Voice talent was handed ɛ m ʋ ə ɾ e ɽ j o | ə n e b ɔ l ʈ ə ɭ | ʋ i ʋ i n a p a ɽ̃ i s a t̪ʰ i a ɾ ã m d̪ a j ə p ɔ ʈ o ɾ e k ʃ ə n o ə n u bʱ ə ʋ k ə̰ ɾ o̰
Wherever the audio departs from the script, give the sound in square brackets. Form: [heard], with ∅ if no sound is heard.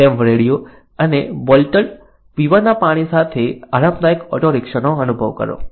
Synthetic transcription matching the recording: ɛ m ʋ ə ɾ e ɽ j o | ə n e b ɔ l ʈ ə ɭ | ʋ i ʋ [a] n a p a ɽ̃ i s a t̪ʰ [e] a ɾ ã m d̪ a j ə [k] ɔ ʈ o ɾ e k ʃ ə n o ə n u bʱ ə ʋ k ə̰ ɾ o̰

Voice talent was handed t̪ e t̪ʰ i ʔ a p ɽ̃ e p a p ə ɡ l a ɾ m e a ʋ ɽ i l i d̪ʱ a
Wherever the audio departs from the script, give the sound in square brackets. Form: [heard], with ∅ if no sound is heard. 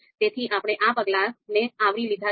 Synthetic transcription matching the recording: t̪ e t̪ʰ i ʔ a p ɽ̃ e [ʔ] a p ə ɡ l a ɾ [n] e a ʋ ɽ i l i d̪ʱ a

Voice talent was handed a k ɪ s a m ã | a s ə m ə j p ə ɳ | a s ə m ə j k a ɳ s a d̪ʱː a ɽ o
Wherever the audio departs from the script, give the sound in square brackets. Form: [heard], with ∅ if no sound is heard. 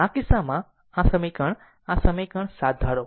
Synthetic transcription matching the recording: a k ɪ s a m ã | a s ə m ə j [k] ə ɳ | a s ə m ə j k [ə] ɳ s a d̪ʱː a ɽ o

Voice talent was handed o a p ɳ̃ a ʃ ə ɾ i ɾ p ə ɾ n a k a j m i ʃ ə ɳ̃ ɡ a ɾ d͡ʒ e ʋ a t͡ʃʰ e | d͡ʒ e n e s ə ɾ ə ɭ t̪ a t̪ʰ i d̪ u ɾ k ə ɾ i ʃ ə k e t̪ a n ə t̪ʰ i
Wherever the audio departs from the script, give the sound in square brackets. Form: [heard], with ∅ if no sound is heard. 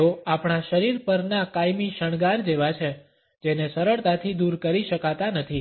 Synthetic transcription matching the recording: o a p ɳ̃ a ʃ ə ɾ i ɾ p ə ɾ n a k a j m i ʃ ə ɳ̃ ɡ a ɾ d͡ʒ e ʋ a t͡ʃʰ e | d͡ʒ e n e s ə ɾ ə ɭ t̪ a t̪ʰ i d̪ u ɾ k ə ɾ i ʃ ə k [a] t̪ a n ə t̪ʰ i

